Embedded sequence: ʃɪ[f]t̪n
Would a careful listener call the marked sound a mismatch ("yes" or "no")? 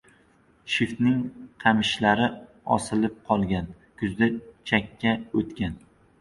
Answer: no